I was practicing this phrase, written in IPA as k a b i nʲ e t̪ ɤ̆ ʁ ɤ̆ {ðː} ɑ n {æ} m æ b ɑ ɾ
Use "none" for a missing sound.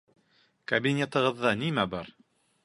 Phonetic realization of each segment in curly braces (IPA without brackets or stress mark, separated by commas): ðː, i